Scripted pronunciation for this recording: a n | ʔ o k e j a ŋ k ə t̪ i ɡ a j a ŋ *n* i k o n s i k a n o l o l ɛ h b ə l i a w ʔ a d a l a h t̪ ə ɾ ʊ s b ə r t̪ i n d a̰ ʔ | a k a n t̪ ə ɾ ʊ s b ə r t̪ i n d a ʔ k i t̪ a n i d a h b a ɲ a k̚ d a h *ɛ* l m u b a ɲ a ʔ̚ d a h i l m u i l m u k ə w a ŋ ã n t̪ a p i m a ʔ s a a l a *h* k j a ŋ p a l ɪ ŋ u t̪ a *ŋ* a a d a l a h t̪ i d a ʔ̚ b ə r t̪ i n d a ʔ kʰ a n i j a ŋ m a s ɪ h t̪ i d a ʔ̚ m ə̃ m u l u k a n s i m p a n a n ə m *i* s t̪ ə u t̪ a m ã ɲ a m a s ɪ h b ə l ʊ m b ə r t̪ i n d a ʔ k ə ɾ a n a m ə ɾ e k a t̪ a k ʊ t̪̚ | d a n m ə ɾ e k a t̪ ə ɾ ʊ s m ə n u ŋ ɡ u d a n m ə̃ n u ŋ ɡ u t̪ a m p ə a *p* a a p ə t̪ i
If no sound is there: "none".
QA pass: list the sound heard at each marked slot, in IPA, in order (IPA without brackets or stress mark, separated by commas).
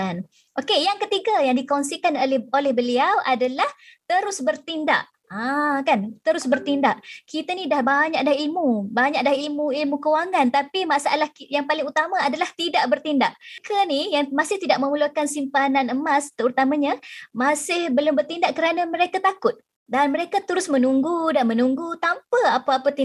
d, i, h, m, a, p